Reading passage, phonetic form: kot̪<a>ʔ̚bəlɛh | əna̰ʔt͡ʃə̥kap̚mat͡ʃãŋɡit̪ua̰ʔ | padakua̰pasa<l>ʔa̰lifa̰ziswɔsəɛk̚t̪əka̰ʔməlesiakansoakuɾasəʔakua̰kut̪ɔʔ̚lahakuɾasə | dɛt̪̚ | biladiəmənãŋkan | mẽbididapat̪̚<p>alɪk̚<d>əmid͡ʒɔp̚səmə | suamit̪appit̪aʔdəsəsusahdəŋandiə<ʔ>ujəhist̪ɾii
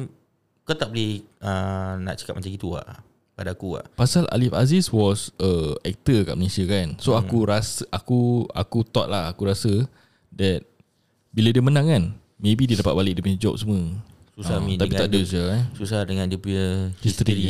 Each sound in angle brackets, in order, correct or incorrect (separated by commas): correct, correct, incorrect, correct, incorrect